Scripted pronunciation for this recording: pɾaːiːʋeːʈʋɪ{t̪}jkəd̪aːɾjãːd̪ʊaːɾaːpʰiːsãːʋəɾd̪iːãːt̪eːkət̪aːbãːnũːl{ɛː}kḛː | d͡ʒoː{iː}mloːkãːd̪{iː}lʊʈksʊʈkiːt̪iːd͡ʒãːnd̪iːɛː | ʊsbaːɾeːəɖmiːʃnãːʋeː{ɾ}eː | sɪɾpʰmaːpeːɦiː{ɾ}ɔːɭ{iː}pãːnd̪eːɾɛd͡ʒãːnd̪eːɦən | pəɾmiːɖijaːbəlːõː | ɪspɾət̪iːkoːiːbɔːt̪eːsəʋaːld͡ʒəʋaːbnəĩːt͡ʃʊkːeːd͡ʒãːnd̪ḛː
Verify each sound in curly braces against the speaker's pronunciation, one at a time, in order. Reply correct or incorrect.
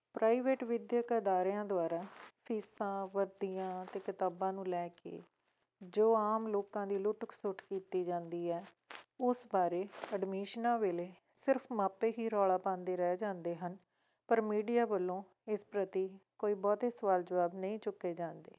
incorrect, correct, incorrect, correct, incorrect, correct, incorrect

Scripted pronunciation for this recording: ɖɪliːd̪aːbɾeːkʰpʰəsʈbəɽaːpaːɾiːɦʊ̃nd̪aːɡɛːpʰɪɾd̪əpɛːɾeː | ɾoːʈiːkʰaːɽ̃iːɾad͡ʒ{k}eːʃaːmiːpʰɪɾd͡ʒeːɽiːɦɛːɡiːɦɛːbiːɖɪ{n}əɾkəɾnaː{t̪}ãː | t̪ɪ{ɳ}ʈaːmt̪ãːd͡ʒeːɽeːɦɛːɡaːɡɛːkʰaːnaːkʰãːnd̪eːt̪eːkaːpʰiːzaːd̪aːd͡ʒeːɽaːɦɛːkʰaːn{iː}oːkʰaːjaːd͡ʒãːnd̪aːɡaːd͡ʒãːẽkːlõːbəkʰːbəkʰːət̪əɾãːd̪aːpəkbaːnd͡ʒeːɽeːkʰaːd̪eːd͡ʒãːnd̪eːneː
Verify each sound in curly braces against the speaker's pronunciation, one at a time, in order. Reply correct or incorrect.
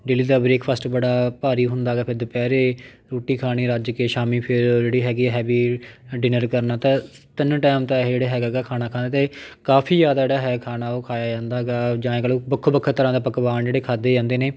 correct, correct, correct, incorrect, incorrect

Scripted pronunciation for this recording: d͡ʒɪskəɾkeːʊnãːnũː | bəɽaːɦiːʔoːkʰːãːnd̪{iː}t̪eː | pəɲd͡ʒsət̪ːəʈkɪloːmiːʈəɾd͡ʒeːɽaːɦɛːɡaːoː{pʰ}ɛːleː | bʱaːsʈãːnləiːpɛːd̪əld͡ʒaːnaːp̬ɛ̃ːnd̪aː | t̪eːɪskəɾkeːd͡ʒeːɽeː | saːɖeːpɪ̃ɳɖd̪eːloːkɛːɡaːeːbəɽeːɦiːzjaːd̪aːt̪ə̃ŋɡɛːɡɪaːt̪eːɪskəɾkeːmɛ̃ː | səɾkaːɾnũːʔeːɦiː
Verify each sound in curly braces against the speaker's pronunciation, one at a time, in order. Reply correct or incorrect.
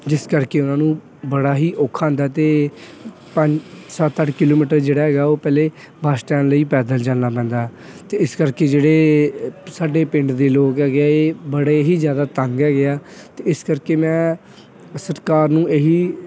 incorrect, incorrect

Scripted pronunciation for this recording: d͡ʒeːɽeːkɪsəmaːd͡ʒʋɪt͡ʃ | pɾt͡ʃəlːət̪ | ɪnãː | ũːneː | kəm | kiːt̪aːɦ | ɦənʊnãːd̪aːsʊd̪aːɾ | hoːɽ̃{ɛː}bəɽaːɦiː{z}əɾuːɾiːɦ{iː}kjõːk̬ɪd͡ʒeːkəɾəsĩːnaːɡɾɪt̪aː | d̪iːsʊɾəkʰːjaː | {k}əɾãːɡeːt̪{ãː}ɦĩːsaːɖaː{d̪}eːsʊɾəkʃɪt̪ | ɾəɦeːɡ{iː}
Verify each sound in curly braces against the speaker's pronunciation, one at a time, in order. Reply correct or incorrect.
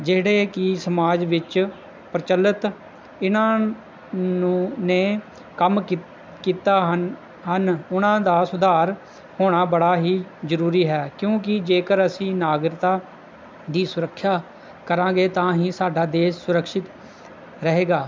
incorrect, correct, incorrect, correct, correct, correct, incorrect

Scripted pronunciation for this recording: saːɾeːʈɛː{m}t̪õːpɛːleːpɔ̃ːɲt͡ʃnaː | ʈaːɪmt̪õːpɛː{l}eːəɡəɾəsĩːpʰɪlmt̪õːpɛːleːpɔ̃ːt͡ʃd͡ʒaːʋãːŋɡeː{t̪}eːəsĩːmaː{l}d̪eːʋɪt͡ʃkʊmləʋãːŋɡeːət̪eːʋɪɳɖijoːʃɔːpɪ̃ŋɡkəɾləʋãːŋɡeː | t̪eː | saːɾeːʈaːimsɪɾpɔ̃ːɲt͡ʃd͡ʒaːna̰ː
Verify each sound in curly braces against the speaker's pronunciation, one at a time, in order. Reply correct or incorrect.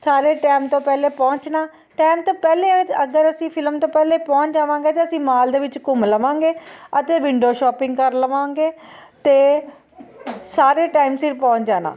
correct, correct, correct, correct

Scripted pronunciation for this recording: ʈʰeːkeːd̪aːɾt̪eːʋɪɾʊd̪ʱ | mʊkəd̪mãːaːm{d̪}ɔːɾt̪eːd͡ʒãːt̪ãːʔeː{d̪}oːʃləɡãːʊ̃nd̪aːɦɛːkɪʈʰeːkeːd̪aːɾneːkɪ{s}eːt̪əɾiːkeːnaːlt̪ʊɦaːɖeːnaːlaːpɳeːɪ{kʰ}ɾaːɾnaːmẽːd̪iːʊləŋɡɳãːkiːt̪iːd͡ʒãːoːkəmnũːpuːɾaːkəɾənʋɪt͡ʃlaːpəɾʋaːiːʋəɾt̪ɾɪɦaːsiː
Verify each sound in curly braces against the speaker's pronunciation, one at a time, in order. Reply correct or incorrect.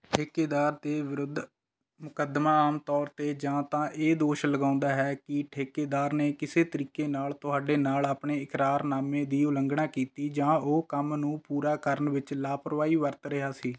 incorrect, correct, correct, incorrect

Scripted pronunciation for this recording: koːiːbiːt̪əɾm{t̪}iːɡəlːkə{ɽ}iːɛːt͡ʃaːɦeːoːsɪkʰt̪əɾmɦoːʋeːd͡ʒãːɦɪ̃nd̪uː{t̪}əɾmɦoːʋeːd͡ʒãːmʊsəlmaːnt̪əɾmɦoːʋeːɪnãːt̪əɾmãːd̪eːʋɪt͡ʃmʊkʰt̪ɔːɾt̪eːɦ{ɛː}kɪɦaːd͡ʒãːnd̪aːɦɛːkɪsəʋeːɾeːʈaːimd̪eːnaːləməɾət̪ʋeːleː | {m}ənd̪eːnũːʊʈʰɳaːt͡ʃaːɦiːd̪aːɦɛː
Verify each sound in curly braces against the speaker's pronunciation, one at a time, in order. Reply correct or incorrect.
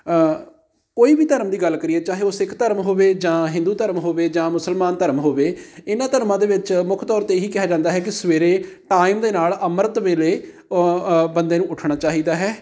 incorrect, incorrect, correct, incorrect, incorrect

